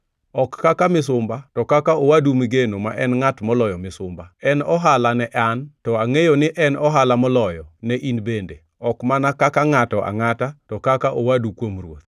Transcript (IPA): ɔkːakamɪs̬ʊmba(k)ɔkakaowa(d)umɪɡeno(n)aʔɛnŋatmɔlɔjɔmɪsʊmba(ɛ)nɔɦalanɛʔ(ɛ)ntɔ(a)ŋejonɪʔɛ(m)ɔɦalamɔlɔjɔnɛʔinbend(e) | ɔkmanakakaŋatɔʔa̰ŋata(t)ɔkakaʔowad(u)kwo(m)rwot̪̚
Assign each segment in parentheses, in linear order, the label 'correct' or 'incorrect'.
incorrect: t, correct, incorrect: m, correct, incorrect: a, correct, incorrect: n, correct, correct, correct, correct

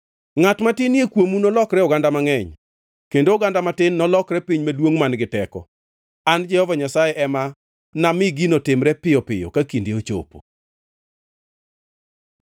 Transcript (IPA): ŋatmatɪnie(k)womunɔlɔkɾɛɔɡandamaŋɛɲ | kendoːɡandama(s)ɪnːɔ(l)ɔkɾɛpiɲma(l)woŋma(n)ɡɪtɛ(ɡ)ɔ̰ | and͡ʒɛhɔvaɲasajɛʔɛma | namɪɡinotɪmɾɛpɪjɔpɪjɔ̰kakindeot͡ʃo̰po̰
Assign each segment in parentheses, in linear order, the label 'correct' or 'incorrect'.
correct, incorrect: t, correct, correct, correct, incorrect: k

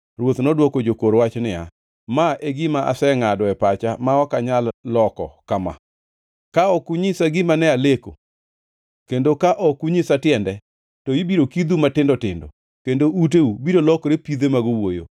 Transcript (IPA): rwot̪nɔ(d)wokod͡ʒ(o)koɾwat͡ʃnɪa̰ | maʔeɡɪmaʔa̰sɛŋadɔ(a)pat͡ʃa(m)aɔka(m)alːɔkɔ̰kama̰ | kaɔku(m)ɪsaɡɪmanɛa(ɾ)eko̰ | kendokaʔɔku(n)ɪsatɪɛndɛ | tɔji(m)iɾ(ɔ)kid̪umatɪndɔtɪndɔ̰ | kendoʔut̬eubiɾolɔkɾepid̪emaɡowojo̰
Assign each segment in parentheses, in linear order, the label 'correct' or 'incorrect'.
correct, correct, incorrect: ɛ, correct, incorrect: ɲ, incorrect: ɲ, incorrect: l, incorrect: ɲ, incorrect: b, incorrect: o

